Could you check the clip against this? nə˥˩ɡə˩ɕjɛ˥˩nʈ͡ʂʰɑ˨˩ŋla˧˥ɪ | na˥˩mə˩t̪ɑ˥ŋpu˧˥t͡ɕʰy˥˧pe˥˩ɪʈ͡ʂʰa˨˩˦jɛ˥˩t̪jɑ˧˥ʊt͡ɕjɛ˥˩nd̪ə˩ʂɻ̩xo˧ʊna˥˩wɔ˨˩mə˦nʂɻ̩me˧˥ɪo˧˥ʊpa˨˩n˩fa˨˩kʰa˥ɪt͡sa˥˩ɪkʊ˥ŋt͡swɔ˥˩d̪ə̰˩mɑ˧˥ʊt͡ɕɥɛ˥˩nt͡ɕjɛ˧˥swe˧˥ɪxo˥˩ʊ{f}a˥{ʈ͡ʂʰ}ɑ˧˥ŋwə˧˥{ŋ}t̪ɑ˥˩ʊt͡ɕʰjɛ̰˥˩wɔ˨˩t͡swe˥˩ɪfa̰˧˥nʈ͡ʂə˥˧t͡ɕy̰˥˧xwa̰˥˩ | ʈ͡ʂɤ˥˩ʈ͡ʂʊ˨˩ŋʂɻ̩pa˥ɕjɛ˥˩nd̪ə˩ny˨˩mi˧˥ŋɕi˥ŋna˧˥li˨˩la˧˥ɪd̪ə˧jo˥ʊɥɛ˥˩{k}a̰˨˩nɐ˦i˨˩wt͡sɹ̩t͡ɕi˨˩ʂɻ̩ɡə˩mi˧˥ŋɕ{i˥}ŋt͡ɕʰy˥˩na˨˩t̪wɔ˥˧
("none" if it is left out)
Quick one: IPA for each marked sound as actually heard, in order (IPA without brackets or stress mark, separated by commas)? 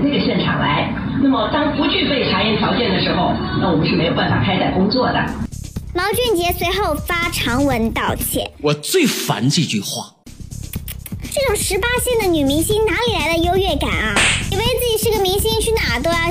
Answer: f, ʈ͡ʂʰ, n, k, i˥